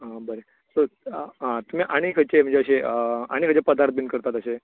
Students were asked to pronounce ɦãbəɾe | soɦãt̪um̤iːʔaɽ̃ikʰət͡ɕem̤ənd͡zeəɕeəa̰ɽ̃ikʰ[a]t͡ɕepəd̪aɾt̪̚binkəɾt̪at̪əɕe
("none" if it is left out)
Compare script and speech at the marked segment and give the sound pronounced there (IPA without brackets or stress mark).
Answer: ə